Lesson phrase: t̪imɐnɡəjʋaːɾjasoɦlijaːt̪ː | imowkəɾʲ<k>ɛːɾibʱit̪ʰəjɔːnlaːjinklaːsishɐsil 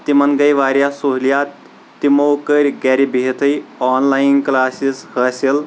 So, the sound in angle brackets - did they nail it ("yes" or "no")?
no